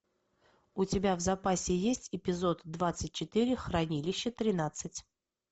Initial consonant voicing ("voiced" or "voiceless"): voiceless